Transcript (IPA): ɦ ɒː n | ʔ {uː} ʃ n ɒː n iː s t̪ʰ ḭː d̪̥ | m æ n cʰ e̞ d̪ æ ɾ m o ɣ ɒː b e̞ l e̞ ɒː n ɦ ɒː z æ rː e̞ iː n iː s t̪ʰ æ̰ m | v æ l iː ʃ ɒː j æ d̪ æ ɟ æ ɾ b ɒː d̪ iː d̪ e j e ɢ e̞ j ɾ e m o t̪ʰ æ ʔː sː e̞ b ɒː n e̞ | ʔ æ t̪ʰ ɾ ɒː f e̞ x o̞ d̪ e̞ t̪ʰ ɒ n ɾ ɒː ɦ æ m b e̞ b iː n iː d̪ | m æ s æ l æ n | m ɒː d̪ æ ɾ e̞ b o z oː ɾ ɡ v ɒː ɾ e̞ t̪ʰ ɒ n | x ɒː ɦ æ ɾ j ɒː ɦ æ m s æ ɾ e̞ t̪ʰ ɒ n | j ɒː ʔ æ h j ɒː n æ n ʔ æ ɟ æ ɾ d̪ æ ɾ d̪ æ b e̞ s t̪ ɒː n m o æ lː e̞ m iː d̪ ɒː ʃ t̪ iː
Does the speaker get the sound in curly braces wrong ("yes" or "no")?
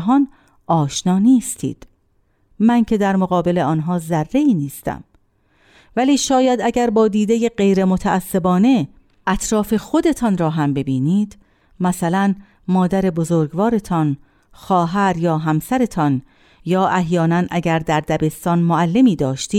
yes